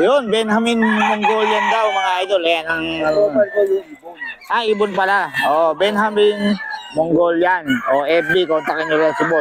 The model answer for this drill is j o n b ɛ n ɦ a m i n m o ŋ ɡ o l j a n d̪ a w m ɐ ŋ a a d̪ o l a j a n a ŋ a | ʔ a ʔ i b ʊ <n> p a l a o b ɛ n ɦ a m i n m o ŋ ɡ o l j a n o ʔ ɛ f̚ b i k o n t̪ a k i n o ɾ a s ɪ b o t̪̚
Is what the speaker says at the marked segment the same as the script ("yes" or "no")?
yes